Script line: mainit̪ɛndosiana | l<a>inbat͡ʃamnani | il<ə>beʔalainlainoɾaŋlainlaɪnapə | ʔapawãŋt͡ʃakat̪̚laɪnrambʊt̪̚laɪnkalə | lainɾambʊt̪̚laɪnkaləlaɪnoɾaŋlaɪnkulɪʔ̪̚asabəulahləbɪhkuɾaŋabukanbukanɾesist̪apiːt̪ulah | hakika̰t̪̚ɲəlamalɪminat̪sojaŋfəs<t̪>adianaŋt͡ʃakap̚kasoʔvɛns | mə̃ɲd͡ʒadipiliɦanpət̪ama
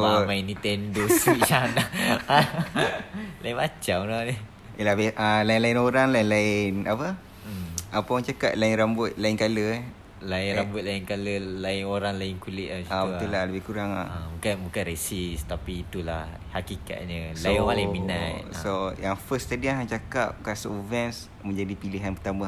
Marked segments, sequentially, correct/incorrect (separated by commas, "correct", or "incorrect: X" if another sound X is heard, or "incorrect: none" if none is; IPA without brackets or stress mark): correct, incorrect: a, correct